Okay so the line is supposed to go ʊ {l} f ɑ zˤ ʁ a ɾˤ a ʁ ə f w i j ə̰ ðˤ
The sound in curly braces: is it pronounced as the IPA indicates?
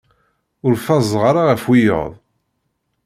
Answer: no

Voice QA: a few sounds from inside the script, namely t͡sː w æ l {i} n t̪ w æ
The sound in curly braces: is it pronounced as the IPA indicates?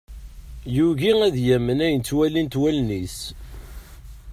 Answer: yes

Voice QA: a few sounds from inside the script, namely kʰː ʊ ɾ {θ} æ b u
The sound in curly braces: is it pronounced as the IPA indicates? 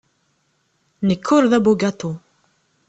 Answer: no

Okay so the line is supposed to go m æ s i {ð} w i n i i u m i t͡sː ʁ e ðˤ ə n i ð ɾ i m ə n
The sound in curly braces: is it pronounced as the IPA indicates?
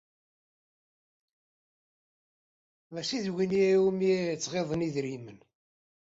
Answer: yes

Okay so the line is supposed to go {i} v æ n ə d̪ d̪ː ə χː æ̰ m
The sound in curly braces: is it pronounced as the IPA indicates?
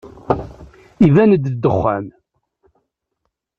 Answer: yes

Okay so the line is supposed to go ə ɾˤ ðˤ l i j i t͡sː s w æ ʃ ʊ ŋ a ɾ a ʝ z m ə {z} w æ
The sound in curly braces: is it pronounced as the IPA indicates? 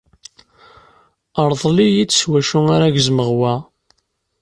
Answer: no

